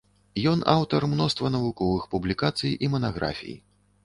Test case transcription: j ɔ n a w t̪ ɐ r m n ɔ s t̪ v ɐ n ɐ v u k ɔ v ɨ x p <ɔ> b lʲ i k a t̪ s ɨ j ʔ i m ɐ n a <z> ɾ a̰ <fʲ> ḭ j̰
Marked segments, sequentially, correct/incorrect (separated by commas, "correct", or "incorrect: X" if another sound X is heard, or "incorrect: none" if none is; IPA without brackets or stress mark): incorrect: u, incorrect: ɣ, correct